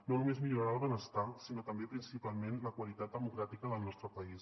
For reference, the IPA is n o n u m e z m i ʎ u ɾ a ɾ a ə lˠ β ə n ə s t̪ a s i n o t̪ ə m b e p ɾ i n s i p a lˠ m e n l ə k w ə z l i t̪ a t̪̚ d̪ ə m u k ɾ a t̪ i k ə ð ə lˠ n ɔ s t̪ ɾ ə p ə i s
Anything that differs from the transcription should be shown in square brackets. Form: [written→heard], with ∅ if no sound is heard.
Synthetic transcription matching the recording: n o n u m e z m i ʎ u ɾ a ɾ a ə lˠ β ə n ə s t̪ a s i n o t̪ ə m b e p ɾ i n s i p a lˠ m e n l ə k w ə [z→∅] l i t̪ a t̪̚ d̪ ə m u k ɾ a t̪ i k ə ð ə lˠ n ɔ s t̪ ɾ ə p ə i s